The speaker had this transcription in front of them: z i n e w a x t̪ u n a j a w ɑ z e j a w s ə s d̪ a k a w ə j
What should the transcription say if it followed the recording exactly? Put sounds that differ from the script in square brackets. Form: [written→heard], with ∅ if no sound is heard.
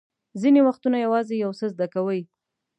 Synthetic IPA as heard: z i n e w a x t̪ u n a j a w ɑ z e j a w s ə [s→z] d̪ a k a w ə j